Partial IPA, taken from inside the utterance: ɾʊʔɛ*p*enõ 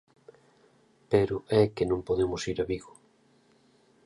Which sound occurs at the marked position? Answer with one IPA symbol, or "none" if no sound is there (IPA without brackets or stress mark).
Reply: k